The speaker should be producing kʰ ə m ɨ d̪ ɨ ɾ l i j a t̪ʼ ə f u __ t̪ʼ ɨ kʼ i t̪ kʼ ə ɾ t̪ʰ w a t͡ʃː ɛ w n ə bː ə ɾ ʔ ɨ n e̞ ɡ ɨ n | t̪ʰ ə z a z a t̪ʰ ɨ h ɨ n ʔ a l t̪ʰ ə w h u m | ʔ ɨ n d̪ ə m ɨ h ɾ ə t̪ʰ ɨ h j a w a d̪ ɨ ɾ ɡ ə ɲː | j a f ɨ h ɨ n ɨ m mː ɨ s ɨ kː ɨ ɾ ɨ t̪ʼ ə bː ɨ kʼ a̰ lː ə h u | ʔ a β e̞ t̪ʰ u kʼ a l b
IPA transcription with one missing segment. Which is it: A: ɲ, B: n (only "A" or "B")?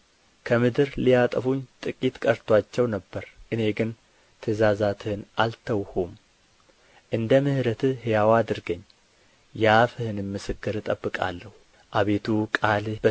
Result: A